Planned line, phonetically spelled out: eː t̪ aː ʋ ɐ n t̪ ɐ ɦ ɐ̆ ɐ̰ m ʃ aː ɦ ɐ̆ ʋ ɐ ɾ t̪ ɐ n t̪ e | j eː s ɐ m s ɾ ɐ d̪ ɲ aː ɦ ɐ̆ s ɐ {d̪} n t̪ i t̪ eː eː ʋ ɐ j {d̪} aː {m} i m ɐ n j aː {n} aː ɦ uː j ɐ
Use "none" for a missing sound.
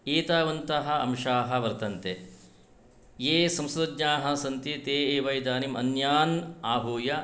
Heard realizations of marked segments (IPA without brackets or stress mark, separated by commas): none, d̪, n, n